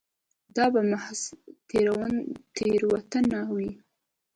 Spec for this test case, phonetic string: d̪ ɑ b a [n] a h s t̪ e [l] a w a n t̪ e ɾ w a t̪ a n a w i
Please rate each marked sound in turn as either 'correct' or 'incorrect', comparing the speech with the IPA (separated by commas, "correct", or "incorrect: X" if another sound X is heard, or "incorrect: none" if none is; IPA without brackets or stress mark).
incorrect: m, incorrect: ɾ